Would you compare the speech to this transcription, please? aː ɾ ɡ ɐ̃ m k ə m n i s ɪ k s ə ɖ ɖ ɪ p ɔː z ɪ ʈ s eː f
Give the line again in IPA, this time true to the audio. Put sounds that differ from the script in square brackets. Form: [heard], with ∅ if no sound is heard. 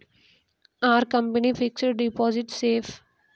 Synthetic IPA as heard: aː ɾ [k] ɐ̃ m [p] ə [∅] n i [f] ɪ k s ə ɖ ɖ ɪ p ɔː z ɪ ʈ s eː f